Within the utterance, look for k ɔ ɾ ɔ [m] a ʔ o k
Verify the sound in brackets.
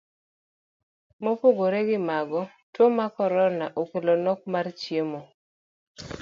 incorrect: n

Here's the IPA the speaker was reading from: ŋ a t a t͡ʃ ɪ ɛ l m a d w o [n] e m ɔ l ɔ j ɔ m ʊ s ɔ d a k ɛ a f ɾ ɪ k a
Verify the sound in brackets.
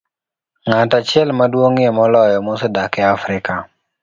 incorrect: ŋ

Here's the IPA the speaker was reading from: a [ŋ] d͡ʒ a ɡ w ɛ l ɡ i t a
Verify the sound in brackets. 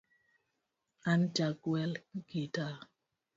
incorrect: n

